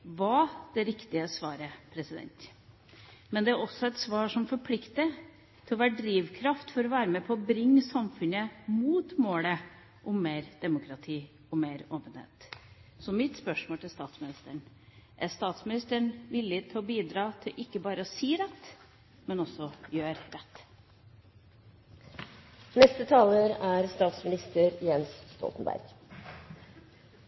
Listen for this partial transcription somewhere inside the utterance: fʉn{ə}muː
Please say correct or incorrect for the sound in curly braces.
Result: correct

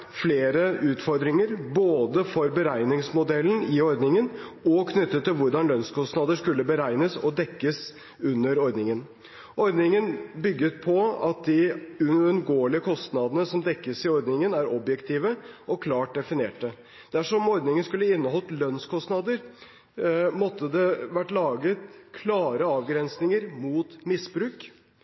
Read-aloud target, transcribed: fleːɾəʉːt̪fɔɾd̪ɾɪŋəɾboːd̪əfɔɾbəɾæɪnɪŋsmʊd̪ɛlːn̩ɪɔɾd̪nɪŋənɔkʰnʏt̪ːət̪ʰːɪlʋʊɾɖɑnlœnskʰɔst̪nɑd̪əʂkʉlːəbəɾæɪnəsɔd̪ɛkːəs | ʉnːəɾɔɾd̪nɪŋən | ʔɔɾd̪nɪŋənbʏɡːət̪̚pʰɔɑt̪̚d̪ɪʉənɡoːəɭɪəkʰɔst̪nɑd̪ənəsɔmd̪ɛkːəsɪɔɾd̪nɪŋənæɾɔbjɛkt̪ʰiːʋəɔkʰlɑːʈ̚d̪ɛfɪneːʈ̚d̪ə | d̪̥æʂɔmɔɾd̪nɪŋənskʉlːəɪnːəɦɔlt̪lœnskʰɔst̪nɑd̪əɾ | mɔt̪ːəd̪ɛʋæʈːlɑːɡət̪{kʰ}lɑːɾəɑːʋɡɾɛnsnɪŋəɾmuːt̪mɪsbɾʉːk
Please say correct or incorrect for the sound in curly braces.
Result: correct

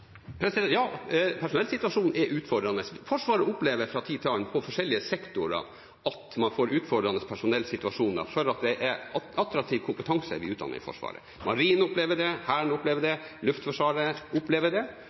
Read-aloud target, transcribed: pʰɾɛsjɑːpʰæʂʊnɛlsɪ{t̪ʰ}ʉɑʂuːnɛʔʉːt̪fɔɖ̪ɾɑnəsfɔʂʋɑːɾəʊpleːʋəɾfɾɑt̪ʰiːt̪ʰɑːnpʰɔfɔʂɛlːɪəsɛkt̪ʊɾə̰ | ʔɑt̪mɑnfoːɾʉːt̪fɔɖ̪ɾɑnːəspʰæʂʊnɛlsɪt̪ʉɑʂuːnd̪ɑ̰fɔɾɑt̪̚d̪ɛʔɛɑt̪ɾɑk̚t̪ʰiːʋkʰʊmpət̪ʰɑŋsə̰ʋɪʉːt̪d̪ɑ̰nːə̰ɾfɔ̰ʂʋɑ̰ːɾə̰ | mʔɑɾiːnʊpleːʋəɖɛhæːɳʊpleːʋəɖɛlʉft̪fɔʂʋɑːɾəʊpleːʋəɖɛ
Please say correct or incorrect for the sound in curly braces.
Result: incorrect: t̪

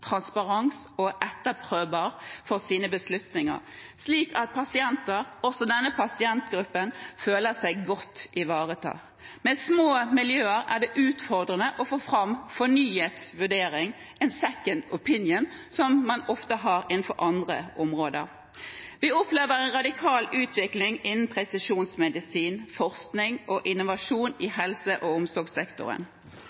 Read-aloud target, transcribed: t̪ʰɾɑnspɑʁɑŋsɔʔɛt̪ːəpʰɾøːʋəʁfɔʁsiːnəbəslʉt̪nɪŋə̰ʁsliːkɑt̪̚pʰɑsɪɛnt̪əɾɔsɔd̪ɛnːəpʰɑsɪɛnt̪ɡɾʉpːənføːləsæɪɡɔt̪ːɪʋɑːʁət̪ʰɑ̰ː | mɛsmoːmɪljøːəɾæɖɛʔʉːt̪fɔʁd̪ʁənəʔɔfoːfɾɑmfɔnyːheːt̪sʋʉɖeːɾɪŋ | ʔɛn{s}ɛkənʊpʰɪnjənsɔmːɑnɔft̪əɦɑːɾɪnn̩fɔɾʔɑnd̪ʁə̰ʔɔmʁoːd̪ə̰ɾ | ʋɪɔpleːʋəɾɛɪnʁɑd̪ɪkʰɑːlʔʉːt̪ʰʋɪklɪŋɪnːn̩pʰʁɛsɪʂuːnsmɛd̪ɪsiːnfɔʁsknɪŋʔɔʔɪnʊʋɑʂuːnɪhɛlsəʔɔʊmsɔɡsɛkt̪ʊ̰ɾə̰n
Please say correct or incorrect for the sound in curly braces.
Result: correct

